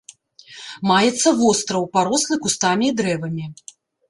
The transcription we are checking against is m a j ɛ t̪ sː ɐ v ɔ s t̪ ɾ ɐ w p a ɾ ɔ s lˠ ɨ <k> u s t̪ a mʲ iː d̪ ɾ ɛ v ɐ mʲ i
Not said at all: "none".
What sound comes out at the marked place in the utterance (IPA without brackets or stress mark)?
k